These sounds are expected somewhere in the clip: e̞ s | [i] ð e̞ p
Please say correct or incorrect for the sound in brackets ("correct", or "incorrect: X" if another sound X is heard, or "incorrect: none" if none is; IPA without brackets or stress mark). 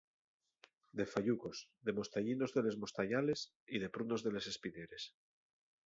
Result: correct